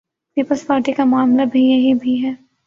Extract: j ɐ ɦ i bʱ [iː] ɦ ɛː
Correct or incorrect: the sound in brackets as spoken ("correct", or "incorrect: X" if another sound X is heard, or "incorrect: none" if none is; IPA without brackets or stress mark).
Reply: incorrect: i